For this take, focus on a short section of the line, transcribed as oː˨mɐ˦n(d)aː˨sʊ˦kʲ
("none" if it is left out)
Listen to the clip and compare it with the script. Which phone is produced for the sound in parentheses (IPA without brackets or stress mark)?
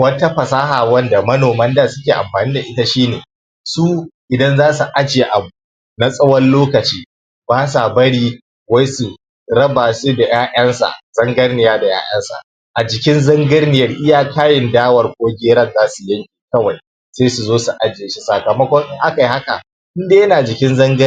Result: d